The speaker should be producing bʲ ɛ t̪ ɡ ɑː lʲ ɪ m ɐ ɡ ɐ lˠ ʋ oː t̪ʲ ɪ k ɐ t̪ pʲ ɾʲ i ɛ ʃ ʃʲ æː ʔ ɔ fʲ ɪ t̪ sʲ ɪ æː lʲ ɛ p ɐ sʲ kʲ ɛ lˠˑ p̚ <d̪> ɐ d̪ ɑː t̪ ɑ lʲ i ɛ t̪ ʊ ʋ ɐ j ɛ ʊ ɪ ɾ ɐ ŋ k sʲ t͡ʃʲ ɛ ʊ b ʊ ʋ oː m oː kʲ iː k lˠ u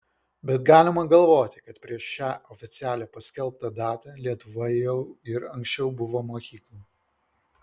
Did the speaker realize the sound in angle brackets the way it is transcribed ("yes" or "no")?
no